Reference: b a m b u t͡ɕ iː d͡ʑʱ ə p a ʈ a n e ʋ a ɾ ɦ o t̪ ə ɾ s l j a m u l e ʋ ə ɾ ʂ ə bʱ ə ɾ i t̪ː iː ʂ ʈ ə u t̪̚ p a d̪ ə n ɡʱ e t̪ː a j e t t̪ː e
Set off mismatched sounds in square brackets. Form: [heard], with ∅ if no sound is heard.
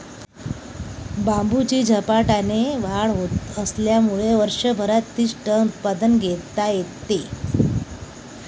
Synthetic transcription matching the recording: b a m b u t͡ɕ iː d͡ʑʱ ə p a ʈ a n e ʋ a [ɭ] ɦ o t̪ ə [∅] s l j a m u [ɭ] e ʋ ə ɾ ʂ ə bʱ ə ɾ [a] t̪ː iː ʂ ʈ ə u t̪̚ p a d̪ ə n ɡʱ e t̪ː a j e t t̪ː e